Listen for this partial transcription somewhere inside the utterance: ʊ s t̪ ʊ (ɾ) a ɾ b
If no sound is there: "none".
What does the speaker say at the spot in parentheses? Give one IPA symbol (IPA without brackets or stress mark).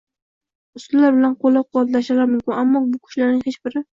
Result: l